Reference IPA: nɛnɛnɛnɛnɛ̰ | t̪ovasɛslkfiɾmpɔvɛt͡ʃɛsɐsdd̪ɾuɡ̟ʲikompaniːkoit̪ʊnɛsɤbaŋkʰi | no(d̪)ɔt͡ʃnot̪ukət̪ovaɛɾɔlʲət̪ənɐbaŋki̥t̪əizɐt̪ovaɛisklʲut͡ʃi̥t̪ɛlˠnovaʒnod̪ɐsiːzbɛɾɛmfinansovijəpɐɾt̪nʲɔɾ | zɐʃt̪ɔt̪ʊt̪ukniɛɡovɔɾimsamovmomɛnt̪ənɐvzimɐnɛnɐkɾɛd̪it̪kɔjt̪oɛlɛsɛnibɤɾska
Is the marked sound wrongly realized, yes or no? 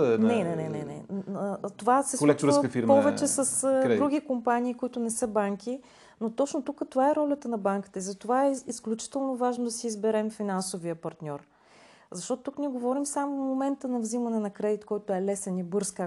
yes